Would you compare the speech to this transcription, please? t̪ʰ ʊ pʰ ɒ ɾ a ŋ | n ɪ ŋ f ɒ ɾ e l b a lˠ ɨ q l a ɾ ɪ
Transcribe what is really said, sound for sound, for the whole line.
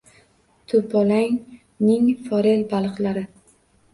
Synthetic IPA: t̪ʰ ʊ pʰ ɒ l a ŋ | n ɪ ŋ f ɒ ɾ e l b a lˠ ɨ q l a ɾ ɪ